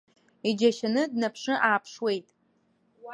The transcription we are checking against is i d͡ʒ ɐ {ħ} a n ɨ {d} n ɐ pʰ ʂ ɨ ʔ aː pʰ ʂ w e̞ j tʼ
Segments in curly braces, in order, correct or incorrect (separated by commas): incorrect, correct